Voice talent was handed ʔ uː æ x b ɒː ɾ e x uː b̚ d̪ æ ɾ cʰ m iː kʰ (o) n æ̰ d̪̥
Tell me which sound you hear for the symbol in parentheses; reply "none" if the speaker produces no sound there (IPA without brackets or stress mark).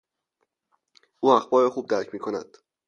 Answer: o